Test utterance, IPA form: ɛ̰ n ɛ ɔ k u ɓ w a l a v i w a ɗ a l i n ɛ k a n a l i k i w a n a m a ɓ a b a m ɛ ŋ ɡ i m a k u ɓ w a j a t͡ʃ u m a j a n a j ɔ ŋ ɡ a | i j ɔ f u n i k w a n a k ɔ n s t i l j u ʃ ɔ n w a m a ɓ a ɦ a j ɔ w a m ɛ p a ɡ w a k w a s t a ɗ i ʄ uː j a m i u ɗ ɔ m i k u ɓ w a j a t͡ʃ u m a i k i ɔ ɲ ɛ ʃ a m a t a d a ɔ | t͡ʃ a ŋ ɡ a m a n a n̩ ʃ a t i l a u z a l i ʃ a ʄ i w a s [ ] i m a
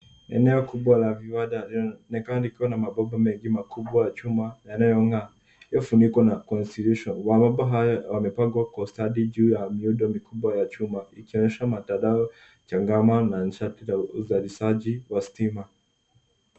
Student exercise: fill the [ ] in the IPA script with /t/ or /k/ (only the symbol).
t